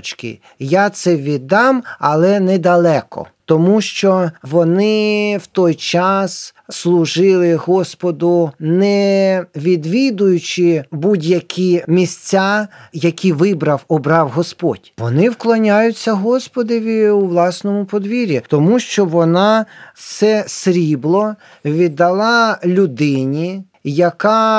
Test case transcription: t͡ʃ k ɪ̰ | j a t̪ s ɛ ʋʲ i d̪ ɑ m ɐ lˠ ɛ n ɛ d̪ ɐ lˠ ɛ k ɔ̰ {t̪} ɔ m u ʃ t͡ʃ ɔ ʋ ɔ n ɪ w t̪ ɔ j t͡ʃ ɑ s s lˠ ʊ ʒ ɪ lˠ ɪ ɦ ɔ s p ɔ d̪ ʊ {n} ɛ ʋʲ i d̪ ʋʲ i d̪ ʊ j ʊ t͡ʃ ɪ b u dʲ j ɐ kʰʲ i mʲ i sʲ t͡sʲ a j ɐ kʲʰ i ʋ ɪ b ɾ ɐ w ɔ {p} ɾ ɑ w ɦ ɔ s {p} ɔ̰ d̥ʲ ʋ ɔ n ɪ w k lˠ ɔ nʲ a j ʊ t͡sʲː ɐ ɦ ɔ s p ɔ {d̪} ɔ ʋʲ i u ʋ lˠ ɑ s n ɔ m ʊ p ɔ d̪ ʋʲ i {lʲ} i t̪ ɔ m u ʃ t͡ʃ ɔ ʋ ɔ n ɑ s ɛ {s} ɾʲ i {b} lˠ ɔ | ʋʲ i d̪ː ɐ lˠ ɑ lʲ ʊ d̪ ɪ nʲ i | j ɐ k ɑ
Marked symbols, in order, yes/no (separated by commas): yes, yes, no, yes, yes, no, yes, yes